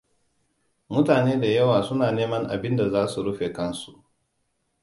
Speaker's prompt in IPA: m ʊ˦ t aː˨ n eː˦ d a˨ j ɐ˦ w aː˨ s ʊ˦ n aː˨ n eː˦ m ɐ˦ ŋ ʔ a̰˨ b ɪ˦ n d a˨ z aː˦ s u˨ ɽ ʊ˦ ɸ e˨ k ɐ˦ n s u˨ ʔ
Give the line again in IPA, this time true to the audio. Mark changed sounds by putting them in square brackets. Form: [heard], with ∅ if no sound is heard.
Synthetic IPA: m ʊ˦ t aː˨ n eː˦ d a˨ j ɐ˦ w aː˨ s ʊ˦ n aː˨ n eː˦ m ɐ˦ ŋ ʔ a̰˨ b ɪ˦ n d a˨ z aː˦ s u˨ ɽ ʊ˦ ɸ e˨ k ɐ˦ n s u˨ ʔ